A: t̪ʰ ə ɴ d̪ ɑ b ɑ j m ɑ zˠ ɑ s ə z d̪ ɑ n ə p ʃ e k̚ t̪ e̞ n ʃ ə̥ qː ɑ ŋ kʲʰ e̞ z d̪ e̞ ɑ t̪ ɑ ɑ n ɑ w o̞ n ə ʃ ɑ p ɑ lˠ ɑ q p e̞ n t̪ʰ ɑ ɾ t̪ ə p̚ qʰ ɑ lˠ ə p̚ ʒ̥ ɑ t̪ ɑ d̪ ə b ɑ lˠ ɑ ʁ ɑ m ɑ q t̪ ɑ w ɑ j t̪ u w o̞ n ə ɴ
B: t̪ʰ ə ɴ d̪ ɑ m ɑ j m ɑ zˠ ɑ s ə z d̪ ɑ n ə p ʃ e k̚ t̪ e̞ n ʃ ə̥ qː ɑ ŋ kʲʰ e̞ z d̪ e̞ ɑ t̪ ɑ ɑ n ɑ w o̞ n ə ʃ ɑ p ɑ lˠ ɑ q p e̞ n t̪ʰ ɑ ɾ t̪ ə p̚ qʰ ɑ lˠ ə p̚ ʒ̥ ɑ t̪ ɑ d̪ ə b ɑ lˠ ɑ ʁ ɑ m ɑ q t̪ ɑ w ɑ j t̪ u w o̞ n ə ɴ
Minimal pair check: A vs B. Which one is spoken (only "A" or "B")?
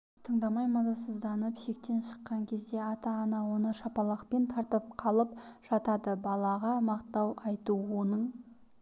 B